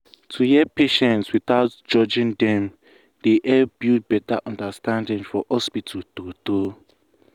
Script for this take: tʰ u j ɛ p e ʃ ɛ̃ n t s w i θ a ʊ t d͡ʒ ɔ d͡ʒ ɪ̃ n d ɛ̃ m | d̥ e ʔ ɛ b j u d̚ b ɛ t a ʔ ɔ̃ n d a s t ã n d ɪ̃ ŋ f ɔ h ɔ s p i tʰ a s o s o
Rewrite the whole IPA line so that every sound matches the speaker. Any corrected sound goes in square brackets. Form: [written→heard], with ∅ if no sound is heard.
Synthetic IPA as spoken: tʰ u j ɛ p e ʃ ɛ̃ n t s w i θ a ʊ t d͡ʒ ɔ d͡ʒ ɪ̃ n d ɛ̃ m | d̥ e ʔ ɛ b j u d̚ b ɛ t a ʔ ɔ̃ n d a s t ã n d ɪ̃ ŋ f ɔ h ɔ s p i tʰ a [s→t] o [s→t] o